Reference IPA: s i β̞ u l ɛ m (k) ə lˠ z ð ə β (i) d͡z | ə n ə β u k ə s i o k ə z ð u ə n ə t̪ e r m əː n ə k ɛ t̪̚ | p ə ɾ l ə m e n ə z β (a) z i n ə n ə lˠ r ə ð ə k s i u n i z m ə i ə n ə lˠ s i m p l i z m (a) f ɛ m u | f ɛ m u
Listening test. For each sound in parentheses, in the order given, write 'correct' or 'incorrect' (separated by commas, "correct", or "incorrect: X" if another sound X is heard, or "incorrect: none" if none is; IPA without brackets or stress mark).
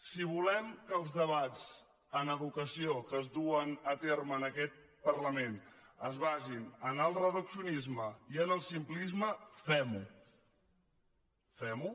correct, incorrect: a, correct, incorrect: ə